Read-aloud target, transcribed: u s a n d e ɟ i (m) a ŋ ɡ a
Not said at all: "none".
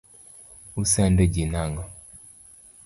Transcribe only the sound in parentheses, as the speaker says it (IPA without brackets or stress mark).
n